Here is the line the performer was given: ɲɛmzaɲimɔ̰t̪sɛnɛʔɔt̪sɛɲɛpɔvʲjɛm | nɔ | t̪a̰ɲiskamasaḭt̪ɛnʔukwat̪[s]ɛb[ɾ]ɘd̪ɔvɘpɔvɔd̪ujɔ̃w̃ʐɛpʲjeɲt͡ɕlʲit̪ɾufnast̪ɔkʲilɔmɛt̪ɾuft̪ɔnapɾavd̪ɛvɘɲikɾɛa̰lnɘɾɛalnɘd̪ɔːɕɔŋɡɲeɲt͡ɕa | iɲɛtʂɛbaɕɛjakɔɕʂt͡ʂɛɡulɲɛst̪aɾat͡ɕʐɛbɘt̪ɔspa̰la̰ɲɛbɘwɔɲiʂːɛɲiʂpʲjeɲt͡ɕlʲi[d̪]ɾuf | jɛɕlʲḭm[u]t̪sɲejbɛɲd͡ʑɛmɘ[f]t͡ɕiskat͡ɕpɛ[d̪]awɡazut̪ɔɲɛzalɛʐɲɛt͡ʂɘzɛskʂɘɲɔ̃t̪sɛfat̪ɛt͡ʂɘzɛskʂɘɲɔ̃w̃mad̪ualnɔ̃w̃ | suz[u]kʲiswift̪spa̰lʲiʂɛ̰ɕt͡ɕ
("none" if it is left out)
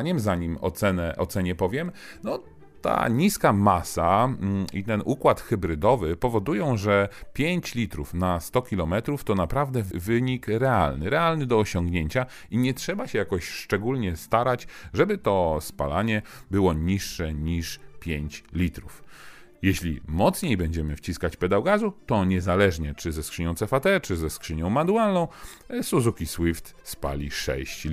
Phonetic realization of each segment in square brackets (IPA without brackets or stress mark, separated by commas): x, ɾ, t̪, ɔ, f, d̪, u